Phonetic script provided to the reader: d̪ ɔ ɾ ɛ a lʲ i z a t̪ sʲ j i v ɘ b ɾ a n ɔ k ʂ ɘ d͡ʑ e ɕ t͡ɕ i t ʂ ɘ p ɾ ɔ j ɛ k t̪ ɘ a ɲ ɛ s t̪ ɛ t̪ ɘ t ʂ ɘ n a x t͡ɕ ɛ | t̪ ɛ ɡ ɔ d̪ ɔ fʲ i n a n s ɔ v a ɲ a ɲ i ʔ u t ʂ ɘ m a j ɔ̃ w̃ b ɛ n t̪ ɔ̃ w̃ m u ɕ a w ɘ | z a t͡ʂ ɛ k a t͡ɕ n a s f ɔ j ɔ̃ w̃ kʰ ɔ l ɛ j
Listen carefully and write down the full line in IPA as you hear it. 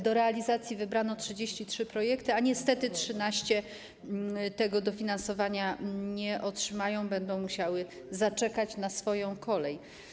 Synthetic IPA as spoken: d̪ ɔ ɾ ɛ a lʲ i z a t̪ sʲ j i v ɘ b ɾ a n ɔ t ʂ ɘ d͡ʑ e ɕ t͡ɕ i t ʂ ɘ p ɾ ɔ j ɛ k t̪ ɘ a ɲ ɛ s t̪ ɛ t̪ ɘ t ʂ ɘ n a ɕ t͡ɕ ɛ | t̪ ɛ ɡ ɔ d̪ ɔ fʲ i n a n s ɔ v a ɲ a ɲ ɛ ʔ ɔ t ʂ ɘ m a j ɔ̃ w̃ b ɛ n d̪ ɔ̃ w̃ m u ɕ a w ɘ | z a t͡ʂ ɛ k a t͡ɕ n a s f ɔ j ɔ̃ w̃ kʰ ɔ l ɛ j

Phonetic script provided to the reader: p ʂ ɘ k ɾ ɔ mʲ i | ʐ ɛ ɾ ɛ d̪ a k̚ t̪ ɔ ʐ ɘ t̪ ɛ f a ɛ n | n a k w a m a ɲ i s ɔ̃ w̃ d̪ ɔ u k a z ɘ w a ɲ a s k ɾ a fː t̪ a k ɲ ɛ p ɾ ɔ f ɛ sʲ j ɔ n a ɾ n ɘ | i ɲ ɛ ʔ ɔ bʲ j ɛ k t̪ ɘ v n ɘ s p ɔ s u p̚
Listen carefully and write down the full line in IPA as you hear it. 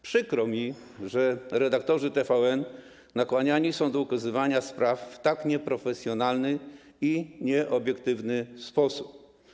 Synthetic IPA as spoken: p ʂ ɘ k ɾ ɔ mʲ i | ʐ ɛ ɾ ɛ d̪ a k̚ t̪ ɔ ʐ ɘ t̪ ɛ f a ɛ n | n a k w a ɲ a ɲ i s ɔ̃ w̃ d̪ ɔ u k a z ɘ v a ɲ a s p ɾ a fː t̪ a k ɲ ɛ p ɾ ɔ f ɛ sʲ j ɔ n a l n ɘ | i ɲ ɛ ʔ ɔ bʲ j ɛ k t̪ ɘ v n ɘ s p ɔ s u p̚

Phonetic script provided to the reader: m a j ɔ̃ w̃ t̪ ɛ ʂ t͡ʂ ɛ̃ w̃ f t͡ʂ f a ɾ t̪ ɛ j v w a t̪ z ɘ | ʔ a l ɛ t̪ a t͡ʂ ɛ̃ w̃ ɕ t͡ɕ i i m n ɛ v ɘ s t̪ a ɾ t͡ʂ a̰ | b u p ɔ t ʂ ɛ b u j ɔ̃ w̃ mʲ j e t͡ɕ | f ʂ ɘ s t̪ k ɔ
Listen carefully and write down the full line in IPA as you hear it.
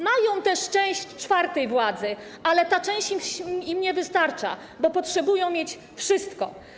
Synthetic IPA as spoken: m a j ɔ̃ w̃ t̪ ɛ ʂ t͡ʂ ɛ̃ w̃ ɕ t͡ʂ f a ɾ t̪ ɛ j v w a d̪ z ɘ | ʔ a l ɛ t̪ a t͡ʂ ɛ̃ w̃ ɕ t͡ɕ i i m ɲ ɛ v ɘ s t̪ a ɾ t͡ʂ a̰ | b ɔ p ɔ t ʂ ɛ b u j ɔ̃ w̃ mʲ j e t͡ɕ | f ʂ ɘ s t̪ k ɔ

